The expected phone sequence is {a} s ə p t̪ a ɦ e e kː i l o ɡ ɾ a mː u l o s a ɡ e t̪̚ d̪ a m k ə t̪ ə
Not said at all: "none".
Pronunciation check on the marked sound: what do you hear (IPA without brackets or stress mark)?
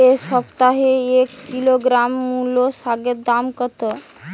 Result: e